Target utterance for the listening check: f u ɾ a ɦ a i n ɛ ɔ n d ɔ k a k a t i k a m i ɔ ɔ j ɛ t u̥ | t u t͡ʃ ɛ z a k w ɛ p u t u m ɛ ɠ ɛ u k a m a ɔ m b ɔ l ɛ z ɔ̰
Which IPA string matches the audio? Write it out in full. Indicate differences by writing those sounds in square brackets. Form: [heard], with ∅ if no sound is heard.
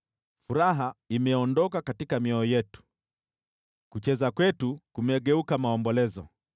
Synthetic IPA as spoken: f u ɾ a ɦ a i [m] ɛ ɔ n d ɔ k a k a t i k a m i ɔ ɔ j ɛ t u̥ | [k] u t͡ʃ ɛ z a k w ɛ [t] u [k] u m ɛ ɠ ɛ u k a m a ɔ m b ɔ l ɛ z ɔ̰